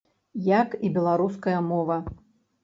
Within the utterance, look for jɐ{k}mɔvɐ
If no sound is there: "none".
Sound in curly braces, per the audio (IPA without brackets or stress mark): none